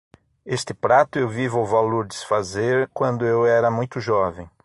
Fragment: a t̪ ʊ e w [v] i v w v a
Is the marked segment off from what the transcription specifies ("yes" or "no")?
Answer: no